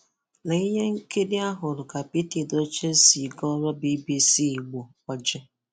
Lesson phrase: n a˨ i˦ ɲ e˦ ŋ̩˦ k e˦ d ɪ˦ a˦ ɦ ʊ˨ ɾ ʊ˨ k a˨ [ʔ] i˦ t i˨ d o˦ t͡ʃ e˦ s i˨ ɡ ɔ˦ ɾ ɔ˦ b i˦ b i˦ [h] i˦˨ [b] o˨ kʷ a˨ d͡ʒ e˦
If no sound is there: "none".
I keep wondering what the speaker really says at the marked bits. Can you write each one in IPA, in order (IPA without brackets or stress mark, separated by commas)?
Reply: p, s, ɡ͡b